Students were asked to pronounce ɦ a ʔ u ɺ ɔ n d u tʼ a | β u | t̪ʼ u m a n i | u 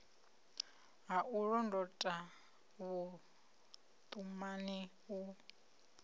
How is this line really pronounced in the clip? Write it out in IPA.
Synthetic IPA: ɦ a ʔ u ɺ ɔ n d ɔ tʼ a | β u | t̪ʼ u m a n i | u